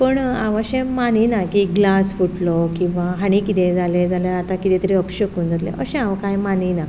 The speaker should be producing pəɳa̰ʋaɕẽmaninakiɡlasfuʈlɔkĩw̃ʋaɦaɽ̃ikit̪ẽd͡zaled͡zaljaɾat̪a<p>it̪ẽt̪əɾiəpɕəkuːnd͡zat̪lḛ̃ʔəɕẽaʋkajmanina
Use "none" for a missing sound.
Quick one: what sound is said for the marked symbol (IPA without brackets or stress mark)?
k